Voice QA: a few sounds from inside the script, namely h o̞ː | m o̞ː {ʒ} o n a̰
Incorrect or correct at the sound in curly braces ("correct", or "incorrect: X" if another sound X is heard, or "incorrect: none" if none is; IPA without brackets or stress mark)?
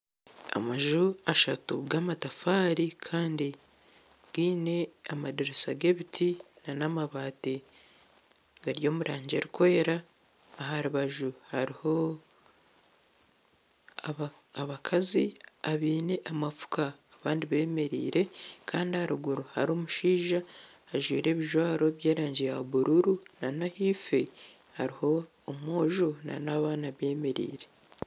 correct